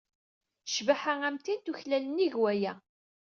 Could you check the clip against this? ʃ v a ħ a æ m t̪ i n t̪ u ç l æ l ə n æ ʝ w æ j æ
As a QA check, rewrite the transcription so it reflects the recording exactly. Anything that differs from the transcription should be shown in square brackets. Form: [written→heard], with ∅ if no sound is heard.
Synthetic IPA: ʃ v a ħ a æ m t̪ i n t̪ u ç l æ l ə n [æ→i] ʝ w æ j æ